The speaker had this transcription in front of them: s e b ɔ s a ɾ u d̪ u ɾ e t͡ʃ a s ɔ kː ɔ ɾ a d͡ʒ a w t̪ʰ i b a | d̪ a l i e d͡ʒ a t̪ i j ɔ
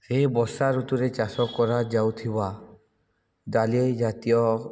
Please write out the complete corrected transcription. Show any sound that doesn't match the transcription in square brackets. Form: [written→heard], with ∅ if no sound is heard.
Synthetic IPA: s e b ɔ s a ɾ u [d̪→t̪] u ɾ e t͡ʃ a s ɔ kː ɔ ɾ a d͡ʒ a w t̪ʰ i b a | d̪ a l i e d͡ʒ a t̪ i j ɔ